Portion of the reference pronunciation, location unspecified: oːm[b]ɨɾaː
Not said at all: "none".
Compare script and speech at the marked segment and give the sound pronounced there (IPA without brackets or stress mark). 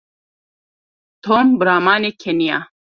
b